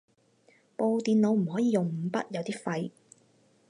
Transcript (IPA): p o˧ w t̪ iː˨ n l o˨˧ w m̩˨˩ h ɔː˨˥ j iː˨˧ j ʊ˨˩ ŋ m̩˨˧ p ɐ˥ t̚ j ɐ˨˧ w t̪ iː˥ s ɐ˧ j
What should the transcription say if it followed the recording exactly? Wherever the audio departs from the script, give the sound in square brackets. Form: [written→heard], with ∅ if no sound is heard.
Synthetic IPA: p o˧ w t̪ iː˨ n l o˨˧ w m̩˨˩ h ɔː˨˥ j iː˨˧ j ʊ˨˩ ŋ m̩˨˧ p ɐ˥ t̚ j ɐ˨˧ w t̪ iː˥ [s→f] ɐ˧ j